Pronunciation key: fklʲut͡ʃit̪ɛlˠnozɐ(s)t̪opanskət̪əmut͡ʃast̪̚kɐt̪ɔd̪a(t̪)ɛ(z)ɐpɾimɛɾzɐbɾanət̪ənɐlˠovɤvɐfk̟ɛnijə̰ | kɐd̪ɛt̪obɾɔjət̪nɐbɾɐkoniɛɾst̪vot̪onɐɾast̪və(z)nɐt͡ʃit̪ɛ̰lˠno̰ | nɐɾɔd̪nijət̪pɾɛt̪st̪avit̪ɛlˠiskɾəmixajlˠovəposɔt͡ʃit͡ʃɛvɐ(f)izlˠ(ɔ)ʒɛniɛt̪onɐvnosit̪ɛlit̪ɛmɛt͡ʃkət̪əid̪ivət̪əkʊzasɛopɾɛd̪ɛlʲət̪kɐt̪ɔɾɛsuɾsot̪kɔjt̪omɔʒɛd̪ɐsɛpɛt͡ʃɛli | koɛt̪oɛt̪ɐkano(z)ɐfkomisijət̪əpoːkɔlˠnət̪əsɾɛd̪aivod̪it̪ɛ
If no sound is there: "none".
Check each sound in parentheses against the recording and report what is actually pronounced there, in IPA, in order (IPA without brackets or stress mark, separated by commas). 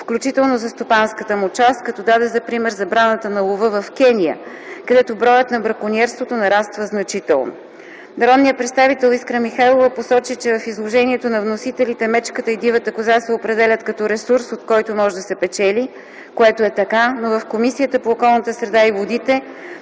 s, d̪, z, z, f, o, v